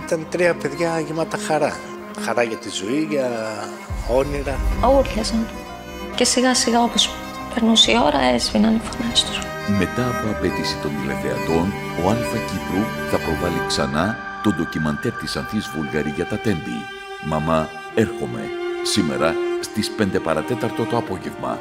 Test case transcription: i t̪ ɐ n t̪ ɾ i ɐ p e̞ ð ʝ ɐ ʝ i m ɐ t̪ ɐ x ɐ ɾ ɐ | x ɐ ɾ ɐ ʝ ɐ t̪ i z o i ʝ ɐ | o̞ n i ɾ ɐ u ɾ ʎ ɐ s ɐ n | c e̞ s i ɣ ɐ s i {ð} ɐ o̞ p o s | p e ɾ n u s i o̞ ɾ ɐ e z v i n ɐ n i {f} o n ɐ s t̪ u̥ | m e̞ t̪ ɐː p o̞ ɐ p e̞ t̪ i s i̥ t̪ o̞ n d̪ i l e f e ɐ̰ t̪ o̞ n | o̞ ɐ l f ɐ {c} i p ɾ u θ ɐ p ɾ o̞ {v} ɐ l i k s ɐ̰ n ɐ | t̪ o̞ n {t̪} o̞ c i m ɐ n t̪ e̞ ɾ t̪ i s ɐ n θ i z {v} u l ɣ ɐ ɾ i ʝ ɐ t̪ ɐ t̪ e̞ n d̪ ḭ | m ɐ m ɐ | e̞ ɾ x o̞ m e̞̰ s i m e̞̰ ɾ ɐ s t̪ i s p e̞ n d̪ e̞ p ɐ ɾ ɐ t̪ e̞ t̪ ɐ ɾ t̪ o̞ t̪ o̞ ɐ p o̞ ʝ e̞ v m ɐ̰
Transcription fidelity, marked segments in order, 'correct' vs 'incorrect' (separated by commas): incorrect, correct, correct, correct, incorrect, correct